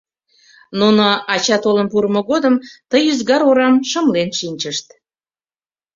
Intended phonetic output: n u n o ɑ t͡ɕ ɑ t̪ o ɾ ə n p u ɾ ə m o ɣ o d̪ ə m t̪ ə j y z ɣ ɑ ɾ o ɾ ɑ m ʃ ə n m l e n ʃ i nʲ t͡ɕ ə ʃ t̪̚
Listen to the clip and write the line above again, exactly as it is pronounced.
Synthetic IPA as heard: n u n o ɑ t͡ɕ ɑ t̪ o l ə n p u ɾ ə m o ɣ o d̪ ə m t̪ ə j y z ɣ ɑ ɾ o ɾ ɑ m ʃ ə m l e n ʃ i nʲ t͡ɕ ə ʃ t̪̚